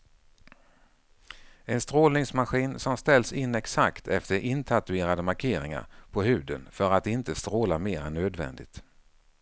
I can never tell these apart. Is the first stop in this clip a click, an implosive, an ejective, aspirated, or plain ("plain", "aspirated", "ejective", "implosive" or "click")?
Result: plain